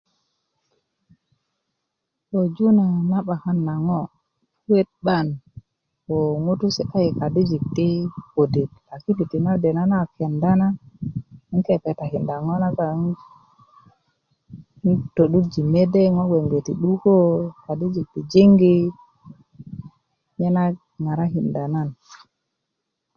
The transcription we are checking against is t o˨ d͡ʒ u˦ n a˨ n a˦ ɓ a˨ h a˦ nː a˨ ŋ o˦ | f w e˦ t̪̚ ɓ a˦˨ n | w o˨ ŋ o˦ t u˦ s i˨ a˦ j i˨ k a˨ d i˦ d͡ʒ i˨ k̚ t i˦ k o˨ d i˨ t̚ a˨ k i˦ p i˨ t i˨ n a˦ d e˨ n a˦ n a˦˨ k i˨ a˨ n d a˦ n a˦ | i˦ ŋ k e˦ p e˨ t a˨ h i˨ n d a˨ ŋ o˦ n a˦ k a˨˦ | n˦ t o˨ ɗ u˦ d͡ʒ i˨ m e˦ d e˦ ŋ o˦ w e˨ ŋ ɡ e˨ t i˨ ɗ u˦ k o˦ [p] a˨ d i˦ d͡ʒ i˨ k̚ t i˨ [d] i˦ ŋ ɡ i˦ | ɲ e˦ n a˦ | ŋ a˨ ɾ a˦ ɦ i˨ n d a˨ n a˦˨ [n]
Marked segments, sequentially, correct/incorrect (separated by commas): incorrect, incorrect, correct